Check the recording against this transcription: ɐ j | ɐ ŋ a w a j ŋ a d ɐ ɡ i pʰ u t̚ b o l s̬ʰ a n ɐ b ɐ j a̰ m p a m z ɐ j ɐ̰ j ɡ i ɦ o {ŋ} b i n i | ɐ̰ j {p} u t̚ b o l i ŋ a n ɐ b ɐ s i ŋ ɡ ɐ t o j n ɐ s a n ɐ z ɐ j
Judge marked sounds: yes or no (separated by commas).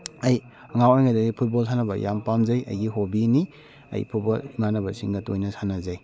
no, no